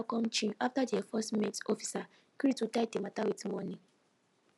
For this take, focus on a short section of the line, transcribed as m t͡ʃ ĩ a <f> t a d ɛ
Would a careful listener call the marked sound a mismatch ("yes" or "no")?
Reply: no